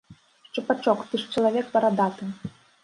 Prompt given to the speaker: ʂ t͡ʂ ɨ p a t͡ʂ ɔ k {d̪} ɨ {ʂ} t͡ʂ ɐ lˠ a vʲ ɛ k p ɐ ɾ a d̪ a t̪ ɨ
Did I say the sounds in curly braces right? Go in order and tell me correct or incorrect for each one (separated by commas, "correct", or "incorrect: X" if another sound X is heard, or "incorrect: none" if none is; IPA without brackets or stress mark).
incorrect: t̪, correct